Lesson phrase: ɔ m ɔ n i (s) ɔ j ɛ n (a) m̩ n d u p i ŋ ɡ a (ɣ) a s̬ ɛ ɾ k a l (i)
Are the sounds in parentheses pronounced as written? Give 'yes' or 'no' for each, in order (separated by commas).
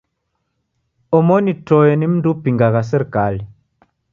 no, no, yes, yes